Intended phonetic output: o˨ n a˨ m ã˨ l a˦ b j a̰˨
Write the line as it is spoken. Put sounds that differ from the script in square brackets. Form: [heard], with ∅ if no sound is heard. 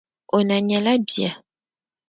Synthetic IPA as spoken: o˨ n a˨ [ɲ] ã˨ l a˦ b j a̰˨